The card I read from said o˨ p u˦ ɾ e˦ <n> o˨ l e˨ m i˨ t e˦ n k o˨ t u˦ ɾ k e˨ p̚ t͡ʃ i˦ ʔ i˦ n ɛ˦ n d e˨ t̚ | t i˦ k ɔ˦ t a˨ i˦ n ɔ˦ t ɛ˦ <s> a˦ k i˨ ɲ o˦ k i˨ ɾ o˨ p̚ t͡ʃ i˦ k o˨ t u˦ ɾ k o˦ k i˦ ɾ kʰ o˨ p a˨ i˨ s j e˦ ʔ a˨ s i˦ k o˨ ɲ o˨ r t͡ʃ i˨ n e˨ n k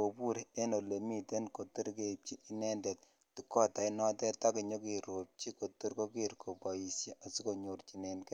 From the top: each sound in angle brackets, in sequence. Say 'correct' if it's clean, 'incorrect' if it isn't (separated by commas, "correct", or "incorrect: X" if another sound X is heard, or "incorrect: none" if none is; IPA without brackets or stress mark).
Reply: correct, incorrect: t